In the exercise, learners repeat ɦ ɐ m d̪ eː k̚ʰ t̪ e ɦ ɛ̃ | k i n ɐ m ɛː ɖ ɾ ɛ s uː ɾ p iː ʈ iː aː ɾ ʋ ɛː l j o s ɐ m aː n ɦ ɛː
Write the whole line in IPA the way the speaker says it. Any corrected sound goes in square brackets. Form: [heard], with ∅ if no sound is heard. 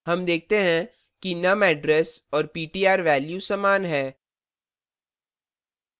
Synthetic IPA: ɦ ɐ m d̪ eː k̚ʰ t̪ e ɦ ɛ̃ | k i n ɐ m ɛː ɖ ɾ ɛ s [ɔː] ɾ p iː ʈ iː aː ɾ ʋ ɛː l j [u] s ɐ m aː n ɦ ɛː